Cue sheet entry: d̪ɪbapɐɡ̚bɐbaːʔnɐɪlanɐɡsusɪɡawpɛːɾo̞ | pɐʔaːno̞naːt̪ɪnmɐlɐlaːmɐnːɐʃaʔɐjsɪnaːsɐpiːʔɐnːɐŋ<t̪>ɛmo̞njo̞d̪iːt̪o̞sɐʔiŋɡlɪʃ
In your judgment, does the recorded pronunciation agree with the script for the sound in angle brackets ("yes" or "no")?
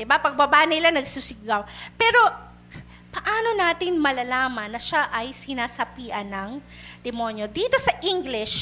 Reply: no